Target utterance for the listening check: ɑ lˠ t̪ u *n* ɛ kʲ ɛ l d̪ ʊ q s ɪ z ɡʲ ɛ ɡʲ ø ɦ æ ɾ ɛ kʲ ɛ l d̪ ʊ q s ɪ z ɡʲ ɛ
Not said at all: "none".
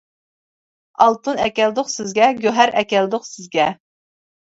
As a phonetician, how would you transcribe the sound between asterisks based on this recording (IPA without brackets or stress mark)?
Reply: n